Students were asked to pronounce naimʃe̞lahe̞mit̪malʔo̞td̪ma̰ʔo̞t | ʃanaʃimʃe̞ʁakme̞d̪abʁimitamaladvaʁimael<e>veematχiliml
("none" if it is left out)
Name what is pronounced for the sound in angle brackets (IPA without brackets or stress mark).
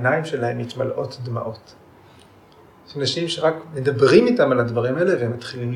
e